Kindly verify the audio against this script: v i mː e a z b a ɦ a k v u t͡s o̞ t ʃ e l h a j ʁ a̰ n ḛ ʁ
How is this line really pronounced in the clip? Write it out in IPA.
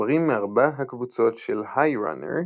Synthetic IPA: ʁ i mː e a ʁ b a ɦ a k v u t͡s o̞ t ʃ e l h a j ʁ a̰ n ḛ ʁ